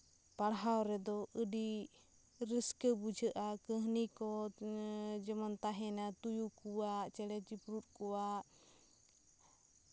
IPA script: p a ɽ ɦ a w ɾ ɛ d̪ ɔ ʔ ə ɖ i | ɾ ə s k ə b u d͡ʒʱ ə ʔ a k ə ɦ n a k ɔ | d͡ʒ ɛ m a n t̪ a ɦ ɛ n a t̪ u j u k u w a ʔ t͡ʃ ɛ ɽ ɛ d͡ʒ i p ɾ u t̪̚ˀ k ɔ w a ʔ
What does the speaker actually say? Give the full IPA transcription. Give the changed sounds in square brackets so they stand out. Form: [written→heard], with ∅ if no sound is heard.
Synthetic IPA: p a ɽ ɦ a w ɾ ɛ d̪ ɔ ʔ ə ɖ i | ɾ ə s k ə b u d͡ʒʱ ə ʔ a k ə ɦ n [a→i] k ɔ | d͡ʒ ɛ m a n t̪ a ɦ ɛ n a t̪ u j u k u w a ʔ t͡ʃ ɛ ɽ ɛ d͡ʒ i p ɾ u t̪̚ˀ k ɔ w a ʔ

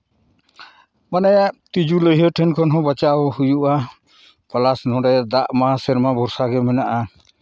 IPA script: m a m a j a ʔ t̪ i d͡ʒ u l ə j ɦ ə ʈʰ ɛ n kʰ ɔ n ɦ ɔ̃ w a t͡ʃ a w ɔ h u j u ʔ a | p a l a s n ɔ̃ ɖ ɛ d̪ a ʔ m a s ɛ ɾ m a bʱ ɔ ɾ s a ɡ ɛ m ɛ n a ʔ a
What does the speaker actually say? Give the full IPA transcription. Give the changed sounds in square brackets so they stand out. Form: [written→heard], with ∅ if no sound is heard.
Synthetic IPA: m a [m→n] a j a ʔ t̪ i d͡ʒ u l ə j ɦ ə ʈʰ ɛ n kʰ ɔ n ɦ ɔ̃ [w→b] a t͡ʃ a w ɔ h u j u ʔ a | p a l a s n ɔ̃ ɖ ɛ d̪ a ʔ m a s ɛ ɾ m a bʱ ɔ ɾ s a ɡ ɛ m ɛ n a ʔ a

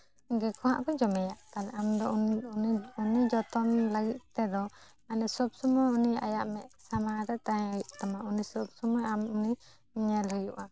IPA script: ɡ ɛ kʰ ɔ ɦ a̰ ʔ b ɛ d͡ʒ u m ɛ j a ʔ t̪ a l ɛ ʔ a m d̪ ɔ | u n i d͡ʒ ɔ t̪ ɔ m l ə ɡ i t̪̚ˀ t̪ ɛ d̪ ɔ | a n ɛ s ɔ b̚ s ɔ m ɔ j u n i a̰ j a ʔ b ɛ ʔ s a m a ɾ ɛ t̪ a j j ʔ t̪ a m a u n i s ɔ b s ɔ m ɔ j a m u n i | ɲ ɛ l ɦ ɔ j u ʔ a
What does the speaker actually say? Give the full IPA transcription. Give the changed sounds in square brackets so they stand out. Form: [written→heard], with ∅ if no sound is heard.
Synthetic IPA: ɡ ɛ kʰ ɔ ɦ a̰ ʔ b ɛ d͡ʒ [u→ɔ] m ɛ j a ʔ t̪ a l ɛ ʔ a m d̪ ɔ | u n i d͡ʒ ɔ t̪ ɔ m l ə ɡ i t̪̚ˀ t̪ ɛ d̪ ɔ | a n ɛ s ɔ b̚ s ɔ m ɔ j u n i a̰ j a ʔ [b→m] ɛ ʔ s a m a ɾ ɛ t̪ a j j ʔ t̪ a m a u n i s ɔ b s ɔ m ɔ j a m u n i | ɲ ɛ l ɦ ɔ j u ʔ a

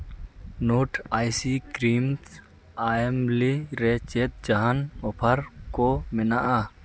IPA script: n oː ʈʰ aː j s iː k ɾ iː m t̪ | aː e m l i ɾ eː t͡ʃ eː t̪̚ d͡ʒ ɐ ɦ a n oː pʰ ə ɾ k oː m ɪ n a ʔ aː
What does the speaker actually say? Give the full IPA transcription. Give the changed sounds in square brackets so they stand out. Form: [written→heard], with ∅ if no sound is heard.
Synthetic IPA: n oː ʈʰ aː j s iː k ɾ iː m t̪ | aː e m l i ɾ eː t͡ʃ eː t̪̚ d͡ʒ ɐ ɦ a n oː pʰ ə ɾ k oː m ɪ n a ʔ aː

